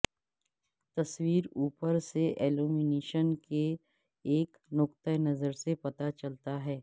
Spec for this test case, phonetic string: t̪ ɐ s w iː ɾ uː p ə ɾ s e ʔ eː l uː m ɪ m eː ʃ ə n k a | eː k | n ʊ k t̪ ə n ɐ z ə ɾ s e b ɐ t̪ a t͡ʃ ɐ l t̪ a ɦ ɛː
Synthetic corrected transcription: t̪ ɐ s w iː ɾ uː p ə ɾ s e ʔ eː l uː m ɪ n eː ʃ ə n k e | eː k | n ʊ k t̪ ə n ɐ z ə ɾ s e p ɐ t̪ a t͡ʃ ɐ l t̪ a ɦ ɛː